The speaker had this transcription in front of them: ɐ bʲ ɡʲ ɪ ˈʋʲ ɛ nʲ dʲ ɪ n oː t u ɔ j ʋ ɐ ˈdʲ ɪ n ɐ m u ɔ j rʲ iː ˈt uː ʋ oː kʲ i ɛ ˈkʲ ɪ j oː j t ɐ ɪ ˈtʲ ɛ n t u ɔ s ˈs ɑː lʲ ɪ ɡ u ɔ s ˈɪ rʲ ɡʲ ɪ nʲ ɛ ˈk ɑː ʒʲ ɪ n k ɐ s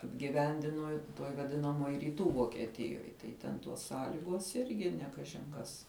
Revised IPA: ɐ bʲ ɡʲ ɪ ˈʋʲ ɛ nʲ dʲ ɪ n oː t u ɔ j ʋ ɐ ˈdʲ ɪ n ɐ m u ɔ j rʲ iː ˈt uː ʋ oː kʲ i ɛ ˈtʲ ɪ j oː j t ɐ ɪ ˈtʲ ɛ n t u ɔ s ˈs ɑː lʲ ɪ ɡ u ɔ s ˈɪ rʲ ɡʲ ɪ nʲ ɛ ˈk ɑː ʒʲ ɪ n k ɐ s